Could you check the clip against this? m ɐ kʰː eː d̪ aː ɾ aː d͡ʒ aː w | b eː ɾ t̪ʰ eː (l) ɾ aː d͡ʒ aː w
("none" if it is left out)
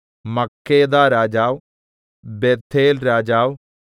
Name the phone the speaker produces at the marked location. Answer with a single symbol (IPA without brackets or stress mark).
l